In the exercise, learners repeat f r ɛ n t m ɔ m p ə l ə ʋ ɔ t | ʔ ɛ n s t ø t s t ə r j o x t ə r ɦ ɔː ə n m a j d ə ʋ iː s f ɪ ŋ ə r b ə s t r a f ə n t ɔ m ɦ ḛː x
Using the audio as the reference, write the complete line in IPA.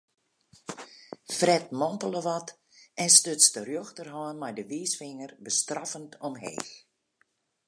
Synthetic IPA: f r ɛ t m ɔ m p ə l ə ʋ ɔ t | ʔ ɛ n s t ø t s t ə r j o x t ə r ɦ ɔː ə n m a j d ə ʋ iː s f ɪ ŋ ə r b ə s t r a f ə n t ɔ m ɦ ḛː x